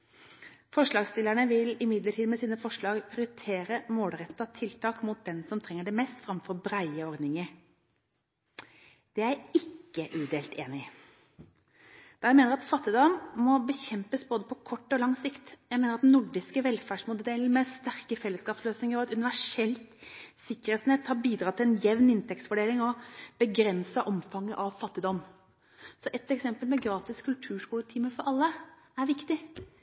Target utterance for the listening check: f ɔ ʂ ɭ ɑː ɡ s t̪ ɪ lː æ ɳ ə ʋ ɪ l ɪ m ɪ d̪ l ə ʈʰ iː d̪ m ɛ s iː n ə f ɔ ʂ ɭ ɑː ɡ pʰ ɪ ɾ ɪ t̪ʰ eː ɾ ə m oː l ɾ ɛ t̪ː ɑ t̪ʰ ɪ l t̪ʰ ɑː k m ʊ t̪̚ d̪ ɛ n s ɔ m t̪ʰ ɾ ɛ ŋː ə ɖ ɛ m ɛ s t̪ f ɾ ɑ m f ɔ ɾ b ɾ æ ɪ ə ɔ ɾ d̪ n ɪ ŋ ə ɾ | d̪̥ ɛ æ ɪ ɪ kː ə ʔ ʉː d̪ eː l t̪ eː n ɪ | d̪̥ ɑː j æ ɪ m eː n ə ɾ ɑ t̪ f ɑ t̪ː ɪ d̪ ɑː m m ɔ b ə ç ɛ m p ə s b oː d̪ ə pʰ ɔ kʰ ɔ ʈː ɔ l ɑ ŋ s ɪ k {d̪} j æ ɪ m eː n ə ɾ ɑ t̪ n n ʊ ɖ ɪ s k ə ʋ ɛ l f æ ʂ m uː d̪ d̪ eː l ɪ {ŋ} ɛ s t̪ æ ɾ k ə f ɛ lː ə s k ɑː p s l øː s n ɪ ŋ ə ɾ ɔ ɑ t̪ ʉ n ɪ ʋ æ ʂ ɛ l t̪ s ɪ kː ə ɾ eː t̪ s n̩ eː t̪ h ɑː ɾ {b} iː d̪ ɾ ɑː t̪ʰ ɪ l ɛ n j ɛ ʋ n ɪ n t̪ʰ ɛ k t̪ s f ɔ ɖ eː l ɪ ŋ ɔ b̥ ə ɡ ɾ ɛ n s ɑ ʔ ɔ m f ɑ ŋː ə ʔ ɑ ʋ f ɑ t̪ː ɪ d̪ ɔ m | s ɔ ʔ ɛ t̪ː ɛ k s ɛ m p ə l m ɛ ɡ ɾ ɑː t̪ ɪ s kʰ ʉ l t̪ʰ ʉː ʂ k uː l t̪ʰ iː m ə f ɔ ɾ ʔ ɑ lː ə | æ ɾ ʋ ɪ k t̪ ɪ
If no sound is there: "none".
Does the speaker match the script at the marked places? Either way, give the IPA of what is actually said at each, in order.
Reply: t̪, m, b

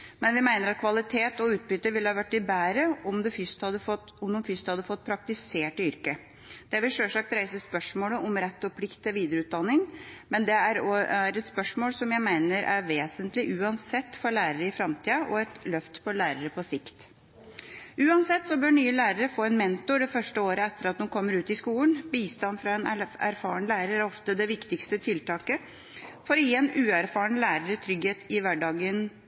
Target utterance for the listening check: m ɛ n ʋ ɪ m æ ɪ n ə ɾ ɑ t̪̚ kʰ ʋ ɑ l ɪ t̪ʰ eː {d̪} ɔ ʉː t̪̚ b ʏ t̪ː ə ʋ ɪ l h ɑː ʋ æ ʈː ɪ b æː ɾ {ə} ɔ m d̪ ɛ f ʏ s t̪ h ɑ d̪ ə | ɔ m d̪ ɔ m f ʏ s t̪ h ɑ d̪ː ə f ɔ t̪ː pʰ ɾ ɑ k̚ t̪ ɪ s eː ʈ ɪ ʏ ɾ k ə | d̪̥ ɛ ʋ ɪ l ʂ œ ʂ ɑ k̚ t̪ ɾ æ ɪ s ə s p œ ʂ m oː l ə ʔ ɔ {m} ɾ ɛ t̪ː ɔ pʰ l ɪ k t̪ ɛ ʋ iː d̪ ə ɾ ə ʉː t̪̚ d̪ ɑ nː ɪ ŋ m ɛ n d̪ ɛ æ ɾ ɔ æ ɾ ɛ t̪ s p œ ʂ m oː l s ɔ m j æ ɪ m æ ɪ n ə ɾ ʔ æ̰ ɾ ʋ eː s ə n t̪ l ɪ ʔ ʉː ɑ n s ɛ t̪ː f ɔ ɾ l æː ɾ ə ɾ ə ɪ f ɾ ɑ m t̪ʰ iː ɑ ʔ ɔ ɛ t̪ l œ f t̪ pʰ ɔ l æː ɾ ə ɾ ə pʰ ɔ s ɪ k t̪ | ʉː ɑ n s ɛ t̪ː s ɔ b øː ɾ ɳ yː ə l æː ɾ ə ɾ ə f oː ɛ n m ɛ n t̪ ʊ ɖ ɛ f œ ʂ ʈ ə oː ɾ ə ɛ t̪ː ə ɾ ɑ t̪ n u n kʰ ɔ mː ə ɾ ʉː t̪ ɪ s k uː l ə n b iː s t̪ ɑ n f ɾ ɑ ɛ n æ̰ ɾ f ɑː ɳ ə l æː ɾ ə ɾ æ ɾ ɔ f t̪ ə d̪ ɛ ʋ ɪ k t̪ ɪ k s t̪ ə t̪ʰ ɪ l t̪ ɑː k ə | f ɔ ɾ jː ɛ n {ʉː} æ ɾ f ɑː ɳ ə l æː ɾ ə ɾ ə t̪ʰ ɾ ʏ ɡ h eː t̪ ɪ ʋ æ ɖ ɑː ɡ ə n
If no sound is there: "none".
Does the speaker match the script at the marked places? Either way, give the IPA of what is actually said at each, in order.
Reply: t̪, ə, m, ʉː

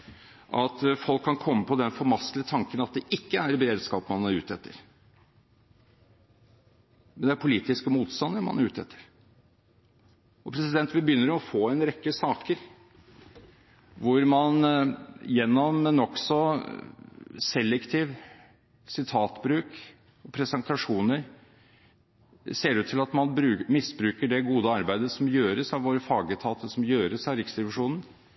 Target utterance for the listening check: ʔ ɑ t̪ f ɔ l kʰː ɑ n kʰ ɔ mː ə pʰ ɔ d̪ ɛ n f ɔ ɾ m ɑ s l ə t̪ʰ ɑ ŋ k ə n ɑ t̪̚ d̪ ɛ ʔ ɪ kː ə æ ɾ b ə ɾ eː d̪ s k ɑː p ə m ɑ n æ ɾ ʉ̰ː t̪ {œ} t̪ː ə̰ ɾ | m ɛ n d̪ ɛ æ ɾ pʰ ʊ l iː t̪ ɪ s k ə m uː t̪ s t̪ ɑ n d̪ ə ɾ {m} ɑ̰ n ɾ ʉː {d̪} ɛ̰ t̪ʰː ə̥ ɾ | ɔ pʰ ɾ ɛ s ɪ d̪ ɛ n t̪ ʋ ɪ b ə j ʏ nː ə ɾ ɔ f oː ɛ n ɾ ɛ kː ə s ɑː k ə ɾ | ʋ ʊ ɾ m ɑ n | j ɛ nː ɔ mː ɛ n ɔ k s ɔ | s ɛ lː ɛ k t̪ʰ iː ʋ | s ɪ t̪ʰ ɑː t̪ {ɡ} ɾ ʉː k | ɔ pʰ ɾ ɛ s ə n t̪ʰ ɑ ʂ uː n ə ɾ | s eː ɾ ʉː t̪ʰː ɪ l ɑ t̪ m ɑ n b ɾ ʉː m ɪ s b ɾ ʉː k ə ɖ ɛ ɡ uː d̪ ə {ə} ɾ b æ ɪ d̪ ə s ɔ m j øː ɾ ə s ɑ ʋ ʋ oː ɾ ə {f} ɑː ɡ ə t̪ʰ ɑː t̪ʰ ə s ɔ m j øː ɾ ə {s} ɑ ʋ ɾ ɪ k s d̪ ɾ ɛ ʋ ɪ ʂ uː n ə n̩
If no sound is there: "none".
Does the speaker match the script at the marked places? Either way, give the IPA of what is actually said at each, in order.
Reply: ɛ, m, t̪, b, ɑ, f, s

